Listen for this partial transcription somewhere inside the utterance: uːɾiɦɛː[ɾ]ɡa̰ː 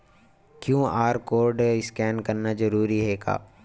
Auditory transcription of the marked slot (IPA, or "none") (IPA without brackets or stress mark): none